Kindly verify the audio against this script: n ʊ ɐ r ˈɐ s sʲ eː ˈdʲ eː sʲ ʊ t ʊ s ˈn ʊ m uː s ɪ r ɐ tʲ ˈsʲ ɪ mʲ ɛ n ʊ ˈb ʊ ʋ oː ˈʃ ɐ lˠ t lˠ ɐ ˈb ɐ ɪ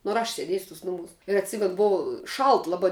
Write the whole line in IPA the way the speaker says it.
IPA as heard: n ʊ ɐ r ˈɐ ʃ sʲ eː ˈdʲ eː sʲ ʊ t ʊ s ˈn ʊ m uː s ɪ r ɐ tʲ ˈsʲ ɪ mʲ ɛ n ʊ ˈb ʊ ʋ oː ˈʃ ɐ lˠ t lˠ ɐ ˈb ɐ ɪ